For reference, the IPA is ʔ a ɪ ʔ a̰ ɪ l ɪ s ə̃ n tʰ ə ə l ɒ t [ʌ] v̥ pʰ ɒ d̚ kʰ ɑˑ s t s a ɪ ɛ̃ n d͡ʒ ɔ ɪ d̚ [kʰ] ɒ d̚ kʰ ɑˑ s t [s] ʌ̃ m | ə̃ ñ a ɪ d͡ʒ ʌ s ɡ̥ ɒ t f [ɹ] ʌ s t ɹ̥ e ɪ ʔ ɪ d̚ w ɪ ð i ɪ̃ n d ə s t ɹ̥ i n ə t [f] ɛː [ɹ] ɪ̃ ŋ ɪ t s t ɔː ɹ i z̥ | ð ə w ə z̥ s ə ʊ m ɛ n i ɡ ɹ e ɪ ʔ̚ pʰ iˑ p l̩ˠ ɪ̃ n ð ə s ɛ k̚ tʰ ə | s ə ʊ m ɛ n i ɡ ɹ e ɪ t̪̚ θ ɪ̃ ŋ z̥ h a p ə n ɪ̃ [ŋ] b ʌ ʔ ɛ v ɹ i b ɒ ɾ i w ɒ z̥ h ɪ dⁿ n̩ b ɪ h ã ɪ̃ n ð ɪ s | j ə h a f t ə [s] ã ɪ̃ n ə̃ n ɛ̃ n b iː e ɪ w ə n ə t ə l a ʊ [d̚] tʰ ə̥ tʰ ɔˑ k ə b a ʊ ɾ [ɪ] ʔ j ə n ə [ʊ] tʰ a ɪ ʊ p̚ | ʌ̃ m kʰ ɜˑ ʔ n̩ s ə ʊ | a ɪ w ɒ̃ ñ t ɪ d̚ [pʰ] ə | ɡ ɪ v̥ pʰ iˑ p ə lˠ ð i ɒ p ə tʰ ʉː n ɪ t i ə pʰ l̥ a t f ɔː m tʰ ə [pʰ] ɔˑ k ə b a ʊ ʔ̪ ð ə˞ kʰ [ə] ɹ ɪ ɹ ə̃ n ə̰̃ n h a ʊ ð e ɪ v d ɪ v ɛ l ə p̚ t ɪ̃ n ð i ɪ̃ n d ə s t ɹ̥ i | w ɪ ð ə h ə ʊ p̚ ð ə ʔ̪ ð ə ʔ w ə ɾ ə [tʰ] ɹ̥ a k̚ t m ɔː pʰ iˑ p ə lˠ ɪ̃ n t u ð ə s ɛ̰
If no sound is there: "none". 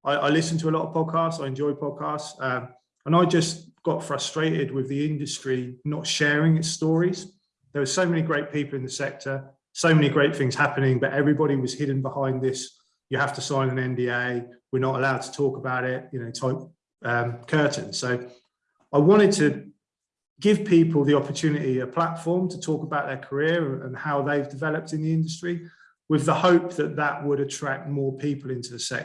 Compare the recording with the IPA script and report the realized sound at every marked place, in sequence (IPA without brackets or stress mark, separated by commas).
ə, pʰ, s, ɹ, ʃ, ɹ, ŋ, s, d̚, ɪ, ʊ, tʰ, tʰ, ə, tʰ